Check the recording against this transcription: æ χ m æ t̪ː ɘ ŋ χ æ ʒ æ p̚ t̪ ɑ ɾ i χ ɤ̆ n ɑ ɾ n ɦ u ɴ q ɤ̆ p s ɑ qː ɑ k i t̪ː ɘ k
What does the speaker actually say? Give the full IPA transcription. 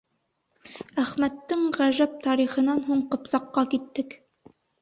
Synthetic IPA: æ χ m æ t̪ː ɘ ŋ ʁ æ ʒ æ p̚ t̪ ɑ ɾ i χ ɤ̆ n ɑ n ɦ u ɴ q ɤ̆ p s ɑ qː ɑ k i t̪ː ɘ k